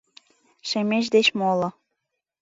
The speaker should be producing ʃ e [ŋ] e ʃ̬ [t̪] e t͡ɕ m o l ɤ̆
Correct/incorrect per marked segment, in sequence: incorrect: m, incorrect: d̪

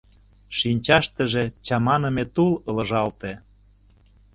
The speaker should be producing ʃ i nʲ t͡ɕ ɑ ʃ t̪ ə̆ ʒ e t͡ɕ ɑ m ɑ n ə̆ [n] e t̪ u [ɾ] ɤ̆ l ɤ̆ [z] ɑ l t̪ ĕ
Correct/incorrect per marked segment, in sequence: incorrect: m, incorrect: l, incorrect: ʒ

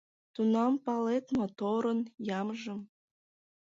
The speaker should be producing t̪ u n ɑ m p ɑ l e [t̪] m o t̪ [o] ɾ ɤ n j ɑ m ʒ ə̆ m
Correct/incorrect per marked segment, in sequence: correct, correct

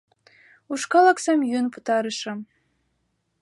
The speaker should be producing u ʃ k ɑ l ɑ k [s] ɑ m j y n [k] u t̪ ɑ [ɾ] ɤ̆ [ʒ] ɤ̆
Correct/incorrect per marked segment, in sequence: correct, incorrect: p, correct, incorrect: ʃ

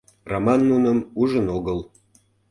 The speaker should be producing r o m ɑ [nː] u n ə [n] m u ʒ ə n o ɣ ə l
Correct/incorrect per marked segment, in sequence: correct, incorrect: none

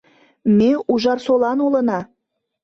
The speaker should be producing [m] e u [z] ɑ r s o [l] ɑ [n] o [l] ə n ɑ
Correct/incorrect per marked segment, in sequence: correct, incorrect: ʒ, correct, correct, correct

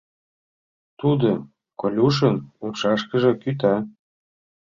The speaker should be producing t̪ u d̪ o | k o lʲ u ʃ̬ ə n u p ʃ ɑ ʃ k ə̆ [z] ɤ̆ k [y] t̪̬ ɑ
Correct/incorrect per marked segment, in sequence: incorrect: ʒ, correct

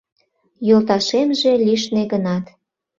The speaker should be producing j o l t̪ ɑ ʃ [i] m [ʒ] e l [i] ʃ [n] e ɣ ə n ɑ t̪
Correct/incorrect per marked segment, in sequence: incorrect: e, correct, correct, correct

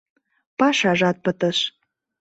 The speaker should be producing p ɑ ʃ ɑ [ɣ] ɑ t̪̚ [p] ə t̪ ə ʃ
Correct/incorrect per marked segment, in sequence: incorrect: ʒ, correct

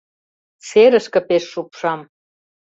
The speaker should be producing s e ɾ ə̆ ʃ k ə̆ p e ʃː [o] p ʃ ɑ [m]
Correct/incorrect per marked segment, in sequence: incorrect: u, correct

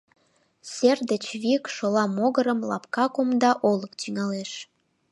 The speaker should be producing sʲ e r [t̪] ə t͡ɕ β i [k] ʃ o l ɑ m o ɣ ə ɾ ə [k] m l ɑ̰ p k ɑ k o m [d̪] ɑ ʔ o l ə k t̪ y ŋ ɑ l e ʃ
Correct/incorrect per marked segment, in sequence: incorrect: d̪, correct, incorrect: none, correct

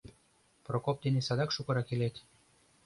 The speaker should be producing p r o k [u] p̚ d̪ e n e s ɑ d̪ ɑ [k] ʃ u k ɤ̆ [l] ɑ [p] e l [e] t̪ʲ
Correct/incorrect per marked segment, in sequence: incorrect: o, correct, incorrect: ɾ, incorrect: k, correct

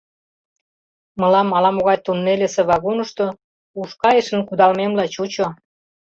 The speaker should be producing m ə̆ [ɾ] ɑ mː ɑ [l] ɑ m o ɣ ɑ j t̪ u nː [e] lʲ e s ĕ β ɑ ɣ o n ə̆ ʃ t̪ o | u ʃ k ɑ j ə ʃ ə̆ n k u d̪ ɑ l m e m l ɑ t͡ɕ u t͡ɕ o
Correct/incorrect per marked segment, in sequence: incorrect: l, correct, correct

